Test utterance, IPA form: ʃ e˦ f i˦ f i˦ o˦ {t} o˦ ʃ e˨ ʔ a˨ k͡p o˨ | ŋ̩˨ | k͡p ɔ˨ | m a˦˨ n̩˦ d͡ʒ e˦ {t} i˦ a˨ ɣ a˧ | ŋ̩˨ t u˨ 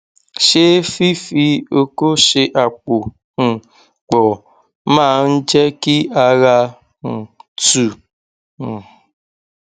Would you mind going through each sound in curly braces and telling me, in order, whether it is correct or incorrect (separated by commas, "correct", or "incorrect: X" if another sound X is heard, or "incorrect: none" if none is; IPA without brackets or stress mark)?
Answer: incorrect: k, incorrect: k